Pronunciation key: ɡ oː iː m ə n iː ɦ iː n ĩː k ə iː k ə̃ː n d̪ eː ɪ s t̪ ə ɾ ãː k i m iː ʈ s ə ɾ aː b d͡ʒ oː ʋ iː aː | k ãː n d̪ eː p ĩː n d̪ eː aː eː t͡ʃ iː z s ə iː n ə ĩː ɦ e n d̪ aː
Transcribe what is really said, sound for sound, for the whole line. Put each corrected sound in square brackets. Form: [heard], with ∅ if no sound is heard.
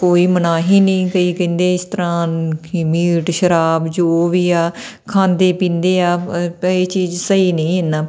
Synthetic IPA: [k] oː iː m ə n [aː] ɦ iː n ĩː k ə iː k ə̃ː n d̪ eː ɪ s t̪ ə ɾ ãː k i m iː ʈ [ʃ] ə ɾ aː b d͡ʒ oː ʋ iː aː | [kʰ] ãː n d̪ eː p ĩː n d̪ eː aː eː t͡ʃ iː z s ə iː n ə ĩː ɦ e n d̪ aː